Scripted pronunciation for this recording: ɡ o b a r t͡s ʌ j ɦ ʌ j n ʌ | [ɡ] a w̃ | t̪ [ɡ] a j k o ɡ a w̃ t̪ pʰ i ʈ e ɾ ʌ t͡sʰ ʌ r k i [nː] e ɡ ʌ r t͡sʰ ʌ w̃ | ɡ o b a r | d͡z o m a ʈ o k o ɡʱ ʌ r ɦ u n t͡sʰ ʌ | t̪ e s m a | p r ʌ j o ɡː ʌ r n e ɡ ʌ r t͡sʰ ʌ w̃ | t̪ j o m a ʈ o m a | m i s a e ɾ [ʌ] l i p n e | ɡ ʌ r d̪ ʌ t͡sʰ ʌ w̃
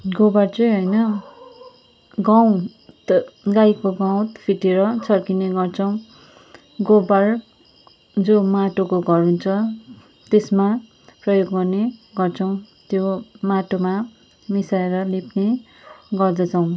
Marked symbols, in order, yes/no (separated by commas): yes, yes, no, yes